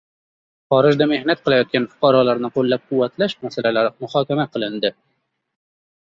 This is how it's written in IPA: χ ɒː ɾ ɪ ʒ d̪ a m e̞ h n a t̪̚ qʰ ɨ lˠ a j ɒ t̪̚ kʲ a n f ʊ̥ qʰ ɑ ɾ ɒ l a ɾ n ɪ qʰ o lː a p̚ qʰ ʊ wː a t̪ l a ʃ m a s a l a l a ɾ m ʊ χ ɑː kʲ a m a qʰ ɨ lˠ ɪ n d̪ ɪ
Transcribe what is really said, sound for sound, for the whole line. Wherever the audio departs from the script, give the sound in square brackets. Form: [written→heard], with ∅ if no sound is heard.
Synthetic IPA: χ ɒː ɾ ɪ ʒ d̪ a m e̞ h n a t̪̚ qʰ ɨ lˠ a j ɒ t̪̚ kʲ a n f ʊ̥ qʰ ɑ ɾ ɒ l a ɾ n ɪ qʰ o lː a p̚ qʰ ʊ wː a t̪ l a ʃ m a s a l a l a ɾ m ʊ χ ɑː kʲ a m a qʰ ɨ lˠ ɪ n d̪ ɪ